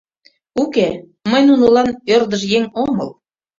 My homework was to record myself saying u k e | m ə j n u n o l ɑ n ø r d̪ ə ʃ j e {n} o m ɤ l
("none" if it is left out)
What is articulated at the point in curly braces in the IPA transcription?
ŋ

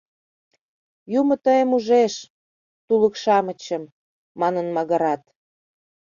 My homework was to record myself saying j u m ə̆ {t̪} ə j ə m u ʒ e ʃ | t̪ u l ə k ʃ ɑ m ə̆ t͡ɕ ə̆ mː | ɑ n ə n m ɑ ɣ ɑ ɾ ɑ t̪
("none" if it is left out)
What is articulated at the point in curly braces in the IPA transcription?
t̪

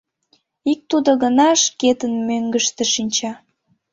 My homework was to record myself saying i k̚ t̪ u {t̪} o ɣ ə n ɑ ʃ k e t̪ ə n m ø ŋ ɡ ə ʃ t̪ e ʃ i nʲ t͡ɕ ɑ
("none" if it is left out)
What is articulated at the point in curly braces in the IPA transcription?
d̪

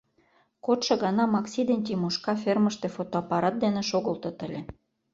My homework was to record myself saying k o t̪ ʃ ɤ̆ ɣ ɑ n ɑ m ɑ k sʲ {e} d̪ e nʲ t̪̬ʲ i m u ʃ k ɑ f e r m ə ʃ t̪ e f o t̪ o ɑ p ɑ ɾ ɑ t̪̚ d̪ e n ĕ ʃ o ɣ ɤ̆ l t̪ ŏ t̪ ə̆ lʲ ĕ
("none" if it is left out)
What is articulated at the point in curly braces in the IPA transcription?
i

